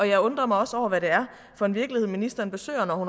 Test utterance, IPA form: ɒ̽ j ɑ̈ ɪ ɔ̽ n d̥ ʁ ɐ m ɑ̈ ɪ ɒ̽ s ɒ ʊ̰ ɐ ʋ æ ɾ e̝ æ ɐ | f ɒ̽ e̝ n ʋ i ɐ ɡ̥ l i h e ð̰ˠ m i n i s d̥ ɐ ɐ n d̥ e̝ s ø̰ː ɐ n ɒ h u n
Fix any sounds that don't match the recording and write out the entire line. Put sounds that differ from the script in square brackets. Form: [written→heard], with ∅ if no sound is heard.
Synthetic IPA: ɒ̽ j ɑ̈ ɪ ɔ̽ n d̥ ʁ ɐ m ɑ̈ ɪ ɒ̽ s ɒ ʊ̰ ɐ ʋ æ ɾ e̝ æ ɐ | f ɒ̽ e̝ n ʋ i ɐ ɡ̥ l i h e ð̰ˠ m i n i s d̥ ɐ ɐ n [d̥→b̥] e̝ s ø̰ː ɐ n ɒ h u n